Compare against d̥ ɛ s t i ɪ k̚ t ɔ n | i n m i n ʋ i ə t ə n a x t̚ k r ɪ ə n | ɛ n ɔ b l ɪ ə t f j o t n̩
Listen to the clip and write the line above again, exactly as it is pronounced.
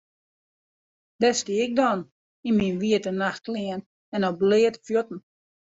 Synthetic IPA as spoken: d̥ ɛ s t i ɪ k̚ d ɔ n | i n m i n ʋ i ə t ə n a x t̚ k l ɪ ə n | ɛ n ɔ b l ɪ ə t f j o t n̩